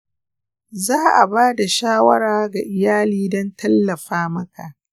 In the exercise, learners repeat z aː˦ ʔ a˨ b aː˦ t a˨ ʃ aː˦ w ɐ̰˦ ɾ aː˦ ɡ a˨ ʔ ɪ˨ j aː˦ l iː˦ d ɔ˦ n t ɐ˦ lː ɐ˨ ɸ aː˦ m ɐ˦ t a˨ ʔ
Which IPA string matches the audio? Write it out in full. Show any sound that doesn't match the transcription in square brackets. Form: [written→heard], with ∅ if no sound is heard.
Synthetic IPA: z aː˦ ʔ a˨ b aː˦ [t→d] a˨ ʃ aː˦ w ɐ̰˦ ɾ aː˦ ɡ a˨ ʔ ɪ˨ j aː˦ l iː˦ d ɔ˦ n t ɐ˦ lː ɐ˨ ɸ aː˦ m ɐ˦ [t→k] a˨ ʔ